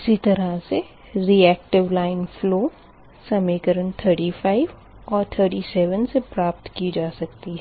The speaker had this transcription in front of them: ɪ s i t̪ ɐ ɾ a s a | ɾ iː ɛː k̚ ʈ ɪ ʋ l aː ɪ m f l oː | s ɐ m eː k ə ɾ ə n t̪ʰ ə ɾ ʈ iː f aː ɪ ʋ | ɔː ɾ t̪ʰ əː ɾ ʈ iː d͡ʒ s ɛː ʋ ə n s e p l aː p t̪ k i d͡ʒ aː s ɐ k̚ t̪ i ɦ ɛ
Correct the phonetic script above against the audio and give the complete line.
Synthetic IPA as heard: ɪ s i t̪ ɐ ɾ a s e | ɾ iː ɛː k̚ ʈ ɪ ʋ l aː ɪ n f l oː | s ɐ m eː k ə ɾ ə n t̪ʰ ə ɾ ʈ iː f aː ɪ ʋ | ɔː ɾ t̪ʰ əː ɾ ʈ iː s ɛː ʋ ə n s e p ɾ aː p t̪ k i d͡ʒ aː s ɐ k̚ t̪ i ɦ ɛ